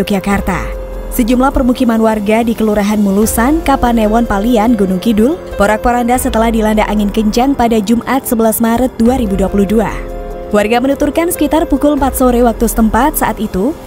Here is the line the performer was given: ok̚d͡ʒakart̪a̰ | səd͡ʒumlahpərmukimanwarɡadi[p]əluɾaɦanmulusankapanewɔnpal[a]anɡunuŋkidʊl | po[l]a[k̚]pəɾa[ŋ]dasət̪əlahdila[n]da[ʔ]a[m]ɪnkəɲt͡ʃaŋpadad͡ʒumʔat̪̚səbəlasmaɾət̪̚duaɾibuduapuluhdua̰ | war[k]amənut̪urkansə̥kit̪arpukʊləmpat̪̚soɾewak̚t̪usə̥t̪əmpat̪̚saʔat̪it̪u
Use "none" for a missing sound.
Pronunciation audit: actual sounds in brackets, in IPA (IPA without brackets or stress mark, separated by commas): k, i, ɾ, k̚, n, n, ʔ, ŋ, ɡ